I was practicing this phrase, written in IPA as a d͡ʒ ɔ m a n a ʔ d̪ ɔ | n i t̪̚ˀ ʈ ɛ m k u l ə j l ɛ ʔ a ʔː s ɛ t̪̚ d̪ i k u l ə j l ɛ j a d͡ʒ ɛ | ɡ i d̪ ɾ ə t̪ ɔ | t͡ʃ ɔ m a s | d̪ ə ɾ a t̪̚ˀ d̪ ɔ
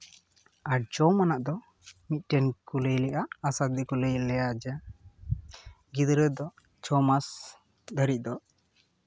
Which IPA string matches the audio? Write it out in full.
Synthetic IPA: a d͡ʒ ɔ m a n a ʔ d̪ ɔ | m i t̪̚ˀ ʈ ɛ n k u l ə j l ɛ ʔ a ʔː s a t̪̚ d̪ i k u l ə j l ɛ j a d͡ʒ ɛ | ɡ i d̪ ɾ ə d̪ ɔ | t͡ʃ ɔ m a s | d̪ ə ɾ i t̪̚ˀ d̪ ɔ